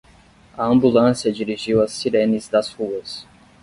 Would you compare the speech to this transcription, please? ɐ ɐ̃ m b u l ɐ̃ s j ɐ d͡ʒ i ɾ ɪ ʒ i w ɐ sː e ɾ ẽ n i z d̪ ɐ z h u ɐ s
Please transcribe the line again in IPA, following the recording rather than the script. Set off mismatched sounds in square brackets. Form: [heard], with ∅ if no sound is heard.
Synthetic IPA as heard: ɐ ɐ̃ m b u l ɐ̃ s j ɐ d͡ʒ i ɾ [i] ʒ i w ɐ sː [i] ɾ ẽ n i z d̪ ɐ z h u ɐ s